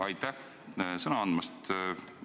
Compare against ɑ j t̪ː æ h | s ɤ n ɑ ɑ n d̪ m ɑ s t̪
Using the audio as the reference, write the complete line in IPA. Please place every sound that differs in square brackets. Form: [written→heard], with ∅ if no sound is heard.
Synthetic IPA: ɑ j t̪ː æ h | s ɤ n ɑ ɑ n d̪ m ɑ s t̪